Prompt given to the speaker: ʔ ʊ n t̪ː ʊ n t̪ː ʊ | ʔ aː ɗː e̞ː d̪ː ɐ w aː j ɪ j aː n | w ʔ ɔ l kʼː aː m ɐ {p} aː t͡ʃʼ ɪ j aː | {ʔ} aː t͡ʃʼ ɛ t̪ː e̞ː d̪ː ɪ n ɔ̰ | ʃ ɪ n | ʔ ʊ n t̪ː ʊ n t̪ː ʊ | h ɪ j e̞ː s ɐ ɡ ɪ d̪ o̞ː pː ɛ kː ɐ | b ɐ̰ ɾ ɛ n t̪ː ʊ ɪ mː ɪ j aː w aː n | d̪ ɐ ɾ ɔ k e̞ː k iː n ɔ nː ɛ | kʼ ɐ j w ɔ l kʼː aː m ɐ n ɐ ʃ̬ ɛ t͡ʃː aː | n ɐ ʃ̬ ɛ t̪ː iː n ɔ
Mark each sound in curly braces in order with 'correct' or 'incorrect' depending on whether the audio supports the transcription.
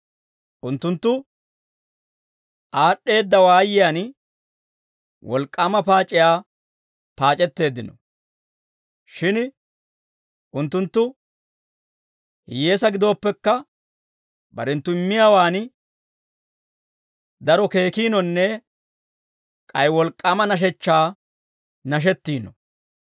correct, incorrect: p

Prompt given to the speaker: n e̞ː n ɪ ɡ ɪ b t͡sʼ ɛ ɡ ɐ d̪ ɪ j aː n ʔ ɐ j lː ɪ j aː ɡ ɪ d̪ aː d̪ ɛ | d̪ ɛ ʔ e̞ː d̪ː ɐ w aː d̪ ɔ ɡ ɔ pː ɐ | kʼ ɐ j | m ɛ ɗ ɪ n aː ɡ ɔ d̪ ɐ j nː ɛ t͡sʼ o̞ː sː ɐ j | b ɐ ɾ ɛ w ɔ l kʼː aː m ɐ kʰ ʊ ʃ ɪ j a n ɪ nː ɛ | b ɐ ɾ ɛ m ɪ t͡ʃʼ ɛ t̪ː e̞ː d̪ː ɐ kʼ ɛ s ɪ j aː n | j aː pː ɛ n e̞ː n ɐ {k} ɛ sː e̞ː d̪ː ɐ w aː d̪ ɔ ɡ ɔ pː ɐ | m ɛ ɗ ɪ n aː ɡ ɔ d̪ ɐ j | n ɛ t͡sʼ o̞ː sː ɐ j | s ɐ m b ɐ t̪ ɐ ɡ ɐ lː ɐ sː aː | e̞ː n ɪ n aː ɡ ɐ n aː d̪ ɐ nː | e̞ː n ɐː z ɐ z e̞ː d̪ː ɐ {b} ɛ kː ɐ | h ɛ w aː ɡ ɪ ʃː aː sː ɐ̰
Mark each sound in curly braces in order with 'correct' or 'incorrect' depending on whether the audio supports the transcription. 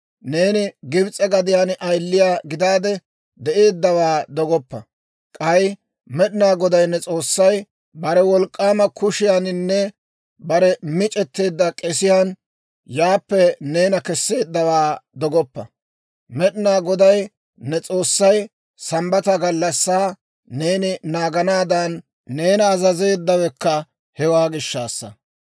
correct, incorrect: w

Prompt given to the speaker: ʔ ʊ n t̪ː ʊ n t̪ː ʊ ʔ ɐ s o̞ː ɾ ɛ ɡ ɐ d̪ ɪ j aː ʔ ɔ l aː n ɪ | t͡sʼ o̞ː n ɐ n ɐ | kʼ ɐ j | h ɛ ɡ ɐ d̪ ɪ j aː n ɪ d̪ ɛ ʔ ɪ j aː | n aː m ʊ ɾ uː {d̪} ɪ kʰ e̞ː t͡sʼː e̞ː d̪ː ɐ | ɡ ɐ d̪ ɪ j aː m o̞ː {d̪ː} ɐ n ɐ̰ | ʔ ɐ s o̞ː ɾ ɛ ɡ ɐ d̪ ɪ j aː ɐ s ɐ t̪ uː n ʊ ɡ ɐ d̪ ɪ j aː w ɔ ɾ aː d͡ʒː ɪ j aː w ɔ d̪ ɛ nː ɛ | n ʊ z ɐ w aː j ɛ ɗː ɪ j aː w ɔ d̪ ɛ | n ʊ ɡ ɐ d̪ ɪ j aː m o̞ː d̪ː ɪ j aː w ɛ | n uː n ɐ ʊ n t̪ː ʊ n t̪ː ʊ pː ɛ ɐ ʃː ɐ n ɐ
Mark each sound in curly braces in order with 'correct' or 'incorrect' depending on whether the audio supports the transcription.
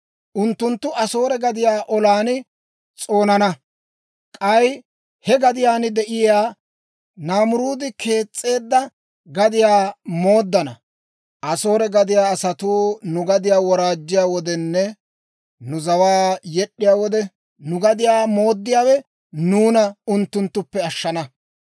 correct, correct

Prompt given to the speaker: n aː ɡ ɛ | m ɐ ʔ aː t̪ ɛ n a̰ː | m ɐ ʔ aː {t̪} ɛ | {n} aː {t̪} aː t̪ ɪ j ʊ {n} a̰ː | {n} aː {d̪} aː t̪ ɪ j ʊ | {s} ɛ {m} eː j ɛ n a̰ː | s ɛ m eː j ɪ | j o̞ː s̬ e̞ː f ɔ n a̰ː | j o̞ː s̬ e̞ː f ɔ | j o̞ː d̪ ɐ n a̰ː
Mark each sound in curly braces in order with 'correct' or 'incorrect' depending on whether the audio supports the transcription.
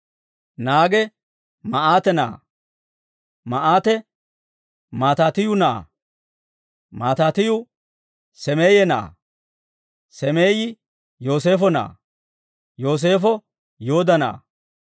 correct, incorrect: m, correct, correct, incorrect: m, incorrect: t̪, correct, correct

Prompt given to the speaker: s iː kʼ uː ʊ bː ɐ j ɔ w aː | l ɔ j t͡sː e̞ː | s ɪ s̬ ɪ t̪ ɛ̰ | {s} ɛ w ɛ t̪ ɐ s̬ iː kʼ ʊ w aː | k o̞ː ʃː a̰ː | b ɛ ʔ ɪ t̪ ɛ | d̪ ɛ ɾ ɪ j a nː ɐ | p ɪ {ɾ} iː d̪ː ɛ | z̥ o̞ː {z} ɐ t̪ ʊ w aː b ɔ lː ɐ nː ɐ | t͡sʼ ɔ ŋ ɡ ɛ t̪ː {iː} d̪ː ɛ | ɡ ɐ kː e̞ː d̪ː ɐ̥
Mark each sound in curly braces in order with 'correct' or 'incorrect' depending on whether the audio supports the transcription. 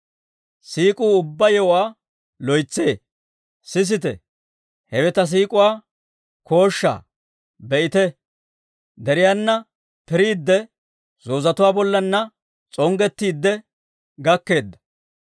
incorrect: h, correct, correct, correct

